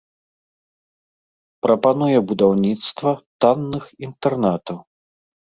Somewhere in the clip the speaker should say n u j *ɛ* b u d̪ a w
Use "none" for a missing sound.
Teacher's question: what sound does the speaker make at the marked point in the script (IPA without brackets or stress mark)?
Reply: ɛ